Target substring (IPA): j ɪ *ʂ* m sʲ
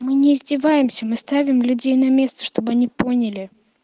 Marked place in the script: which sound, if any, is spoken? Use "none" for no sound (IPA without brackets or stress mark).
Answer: none